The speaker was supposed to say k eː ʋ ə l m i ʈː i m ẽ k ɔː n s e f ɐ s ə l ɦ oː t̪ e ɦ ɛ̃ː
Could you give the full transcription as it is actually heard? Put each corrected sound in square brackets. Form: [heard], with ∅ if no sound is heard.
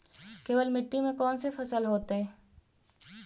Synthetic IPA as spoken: k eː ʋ ə l m [ɪ] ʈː i m ẽ k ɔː n s e f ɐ s ə l ɦ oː t̪ e ɦ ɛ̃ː